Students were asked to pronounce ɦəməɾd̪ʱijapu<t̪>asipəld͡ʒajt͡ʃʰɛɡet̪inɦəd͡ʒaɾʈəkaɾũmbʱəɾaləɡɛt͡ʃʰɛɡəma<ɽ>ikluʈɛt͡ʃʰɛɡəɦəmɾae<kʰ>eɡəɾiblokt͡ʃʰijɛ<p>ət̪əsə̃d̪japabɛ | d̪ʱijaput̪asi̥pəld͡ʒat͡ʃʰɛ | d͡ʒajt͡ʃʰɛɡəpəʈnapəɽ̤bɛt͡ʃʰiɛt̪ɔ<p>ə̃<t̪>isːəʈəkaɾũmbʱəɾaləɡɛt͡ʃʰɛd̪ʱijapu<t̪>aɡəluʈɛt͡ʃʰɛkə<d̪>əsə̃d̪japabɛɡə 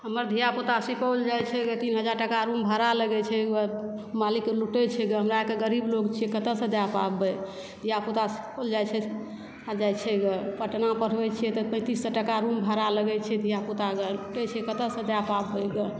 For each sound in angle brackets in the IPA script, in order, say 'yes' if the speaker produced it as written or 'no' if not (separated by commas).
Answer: yes, no, no, no, yes, yes, yes, no